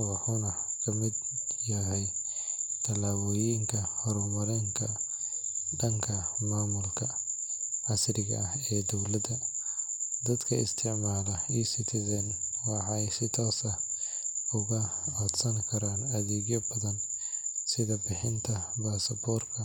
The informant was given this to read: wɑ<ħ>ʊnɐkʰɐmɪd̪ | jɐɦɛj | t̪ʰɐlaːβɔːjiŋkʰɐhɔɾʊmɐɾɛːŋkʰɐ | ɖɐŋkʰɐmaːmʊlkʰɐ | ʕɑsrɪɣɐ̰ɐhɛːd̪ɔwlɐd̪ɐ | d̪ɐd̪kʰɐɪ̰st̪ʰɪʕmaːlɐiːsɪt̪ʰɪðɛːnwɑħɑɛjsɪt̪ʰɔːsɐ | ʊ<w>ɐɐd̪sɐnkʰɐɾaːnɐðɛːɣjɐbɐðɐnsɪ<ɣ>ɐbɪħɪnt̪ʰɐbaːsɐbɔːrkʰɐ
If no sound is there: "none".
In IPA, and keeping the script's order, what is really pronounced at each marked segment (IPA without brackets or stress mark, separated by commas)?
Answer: ħ, ɣ, ð